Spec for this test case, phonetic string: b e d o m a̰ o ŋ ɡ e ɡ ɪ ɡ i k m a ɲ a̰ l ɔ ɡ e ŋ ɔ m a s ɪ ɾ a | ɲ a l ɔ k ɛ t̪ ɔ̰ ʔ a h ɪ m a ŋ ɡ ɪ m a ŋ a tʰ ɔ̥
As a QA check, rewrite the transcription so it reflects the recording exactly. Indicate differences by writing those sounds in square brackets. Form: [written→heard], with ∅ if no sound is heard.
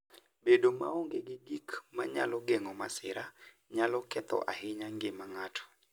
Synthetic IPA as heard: b e d o m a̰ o ŋ ɡ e ɡ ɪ ɡ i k m a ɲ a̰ l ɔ ɡ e ŋ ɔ m a s ɪ ɾ a | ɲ a l ɔ k ɛ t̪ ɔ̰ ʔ a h ɪ [m→ɲ] a ŋ ɡ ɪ m a ŋ a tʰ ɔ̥